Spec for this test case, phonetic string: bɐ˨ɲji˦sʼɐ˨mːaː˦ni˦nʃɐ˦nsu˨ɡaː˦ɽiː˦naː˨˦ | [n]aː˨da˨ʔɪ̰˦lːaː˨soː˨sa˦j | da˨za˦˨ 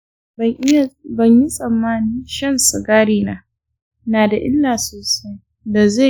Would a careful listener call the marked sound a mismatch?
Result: no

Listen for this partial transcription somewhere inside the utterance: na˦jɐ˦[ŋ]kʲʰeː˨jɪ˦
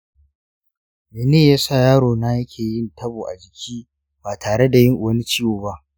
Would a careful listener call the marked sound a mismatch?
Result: yes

